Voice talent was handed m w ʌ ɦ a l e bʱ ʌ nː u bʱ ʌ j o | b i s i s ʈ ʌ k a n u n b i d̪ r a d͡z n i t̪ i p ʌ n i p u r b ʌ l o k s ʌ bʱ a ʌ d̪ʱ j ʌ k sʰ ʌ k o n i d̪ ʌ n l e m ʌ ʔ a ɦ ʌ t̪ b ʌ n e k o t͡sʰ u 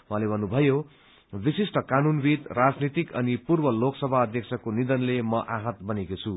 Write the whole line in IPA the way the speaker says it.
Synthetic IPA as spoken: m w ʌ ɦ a l e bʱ ʌ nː u bʱ ʌ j o | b i s i s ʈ ʌ k a n u n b i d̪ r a d͡z n i t̪ i k ʌ n i p u r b ʌ l o k s ʌ bʱ a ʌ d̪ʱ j ʌ k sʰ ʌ k o n i d̪ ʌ n l e m ʌ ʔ a ɦ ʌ t̪ b ʌ n e k o t͡sʰ u